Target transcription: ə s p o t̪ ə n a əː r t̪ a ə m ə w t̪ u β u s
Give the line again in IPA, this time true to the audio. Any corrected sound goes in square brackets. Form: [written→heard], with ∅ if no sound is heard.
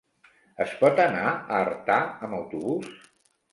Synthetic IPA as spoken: ə s p [o→ɔ] t̪ ə n a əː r t̪ a ə m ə w t̪ u β u s